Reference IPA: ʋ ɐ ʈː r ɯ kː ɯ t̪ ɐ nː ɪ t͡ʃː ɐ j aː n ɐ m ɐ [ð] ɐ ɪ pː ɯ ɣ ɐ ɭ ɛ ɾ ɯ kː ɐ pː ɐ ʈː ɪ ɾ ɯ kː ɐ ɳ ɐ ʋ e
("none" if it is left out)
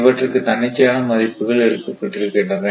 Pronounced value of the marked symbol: ð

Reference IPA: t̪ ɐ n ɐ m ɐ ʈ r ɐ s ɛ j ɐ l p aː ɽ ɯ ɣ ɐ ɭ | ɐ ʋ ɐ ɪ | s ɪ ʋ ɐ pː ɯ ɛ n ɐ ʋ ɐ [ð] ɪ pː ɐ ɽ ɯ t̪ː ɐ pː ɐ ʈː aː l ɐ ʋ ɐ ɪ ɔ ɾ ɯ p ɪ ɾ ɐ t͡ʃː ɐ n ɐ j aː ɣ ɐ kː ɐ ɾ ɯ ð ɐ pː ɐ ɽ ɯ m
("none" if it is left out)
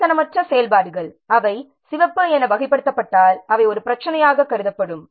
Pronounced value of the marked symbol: ɣ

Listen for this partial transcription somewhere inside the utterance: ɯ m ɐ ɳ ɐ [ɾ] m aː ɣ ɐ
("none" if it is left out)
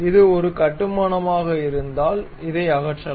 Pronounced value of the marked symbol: none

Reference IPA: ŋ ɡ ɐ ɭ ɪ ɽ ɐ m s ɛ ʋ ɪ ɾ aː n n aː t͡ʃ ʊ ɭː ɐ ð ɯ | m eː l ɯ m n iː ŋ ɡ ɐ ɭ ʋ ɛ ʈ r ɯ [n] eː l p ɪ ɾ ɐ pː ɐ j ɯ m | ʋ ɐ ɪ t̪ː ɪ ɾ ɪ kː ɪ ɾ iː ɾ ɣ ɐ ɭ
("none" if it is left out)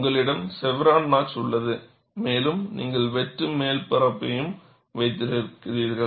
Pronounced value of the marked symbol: m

